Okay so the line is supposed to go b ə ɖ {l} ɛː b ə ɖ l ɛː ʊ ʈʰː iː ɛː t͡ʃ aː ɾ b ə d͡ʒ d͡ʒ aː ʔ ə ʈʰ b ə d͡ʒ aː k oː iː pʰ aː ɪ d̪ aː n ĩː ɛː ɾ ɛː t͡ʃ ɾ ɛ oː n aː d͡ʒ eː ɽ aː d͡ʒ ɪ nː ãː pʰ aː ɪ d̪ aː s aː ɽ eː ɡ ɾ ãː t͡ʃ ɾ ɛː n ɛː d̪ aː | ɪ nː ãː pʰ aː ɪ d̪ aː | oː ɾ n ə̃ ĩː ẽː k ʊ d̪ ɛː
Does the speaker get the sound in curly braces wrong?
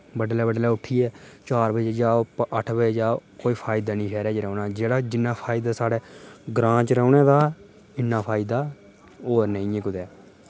no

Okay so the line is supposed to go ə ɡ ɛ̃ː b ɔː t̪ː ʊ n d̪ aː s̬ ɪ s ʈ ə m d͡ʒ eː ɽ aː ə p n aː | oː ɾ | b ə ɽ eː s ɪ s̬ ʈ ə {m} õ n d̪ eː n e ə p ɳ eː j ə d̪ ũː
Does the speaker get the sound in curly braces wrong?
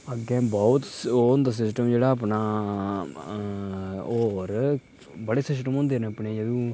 no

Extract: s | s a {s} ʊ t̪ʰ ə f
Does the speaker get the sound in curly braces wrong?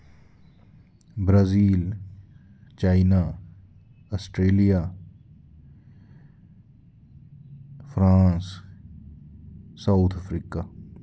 yes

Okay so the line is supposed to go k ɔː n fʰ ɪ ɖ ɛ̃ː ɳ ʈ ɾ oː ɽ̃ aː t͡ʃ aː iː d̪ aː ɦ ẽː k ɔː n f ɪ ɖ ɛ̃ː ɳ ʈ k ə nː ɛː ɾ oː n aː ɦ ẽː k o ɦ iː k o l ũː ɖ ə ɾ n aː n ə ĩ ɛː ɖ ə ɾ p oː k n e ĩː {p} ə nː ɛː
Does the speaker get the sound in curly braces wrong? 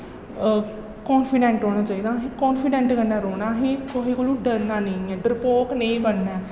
yes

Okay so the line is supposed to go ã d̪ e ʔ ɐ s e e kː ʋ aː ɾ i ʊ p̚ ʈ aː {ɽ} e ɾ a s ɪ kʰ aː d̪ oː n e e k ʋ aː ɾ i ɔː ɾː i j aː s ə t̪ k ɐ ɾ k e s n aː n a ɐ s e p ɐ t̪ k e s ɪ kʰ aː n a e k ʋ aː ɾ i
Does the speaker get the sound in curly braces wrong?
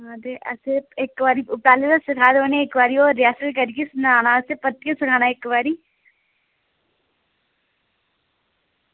yes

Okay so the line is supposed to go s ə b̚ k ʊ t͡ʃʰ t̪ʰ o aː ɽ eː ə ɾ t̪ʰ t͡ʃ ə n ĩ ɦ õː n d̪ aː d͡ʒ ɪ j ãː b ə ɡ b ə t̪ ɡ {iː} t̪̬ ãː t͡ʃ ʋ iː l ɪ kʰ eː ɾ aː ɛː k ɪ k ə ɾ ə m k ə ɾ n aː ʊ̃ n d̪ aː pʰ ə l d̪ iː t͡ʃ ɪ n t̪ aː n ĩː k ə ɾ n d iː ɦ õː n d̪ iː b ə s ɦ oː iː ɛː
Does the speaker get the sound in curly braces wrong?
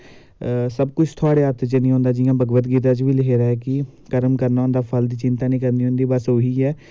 no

